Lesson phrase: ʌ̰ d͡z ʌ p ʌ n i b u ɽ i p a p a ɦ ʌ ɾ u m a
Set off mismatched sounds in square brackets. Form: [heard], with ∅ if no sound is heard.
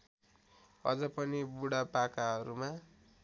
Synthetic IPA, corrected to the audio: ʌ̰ d͡z ʌ p ʌ n i b u ɽ [a] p a [k] a ɦ ʌ ɾ u m a